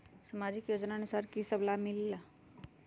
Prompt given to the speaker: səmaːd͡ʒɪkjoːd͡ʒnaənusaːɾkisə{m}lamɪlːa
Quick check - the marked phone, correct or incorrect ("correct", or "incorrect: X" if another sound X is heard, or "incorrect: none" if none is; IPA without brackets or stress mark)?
incorrect: b